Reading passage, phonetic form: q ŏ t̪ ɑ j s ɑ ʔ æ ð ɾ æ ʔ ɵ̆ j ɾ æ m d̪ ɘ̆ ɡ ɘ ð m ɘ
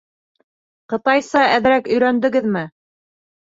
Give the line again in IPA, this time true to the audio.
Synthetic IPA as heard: q ɤ̆ t̪ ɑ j s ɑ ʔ æ ð ɾ æ k ɵ̆ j ɾ æ n d̪ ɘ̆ ɡ ɘ ð m ɘ